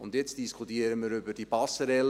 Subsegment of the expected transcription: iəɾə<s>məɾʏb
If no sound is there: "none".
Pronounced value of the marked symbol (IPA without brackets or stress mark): none